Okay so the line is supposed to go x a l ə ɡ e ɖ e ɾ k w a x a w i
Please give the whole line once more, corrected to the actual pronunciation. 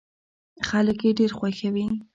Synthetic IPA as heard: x a l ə k e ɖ e ɾ x w a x a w i